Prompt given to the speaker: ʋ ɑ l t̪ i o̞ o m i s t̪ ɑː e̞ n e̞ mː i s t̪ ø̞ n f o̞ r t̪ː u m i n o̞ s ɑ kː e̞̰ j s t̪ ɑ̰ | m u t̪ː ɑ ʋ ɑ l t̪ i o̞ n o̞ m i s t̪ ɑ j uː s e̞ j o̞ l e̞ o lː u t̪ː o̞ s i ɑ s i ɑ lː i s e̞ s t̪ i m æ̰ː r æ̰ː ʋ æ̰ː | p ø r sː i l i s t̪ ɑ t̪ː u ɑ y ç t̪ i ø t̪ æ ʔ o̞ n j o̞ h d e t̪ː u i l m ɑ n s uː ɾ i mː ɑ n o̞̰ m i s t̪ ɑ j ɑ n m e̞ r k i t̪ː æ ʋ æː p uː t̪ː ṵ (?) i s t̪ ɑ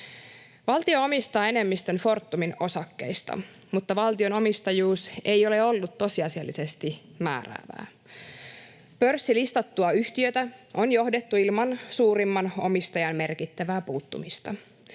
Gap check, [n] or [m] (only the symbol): m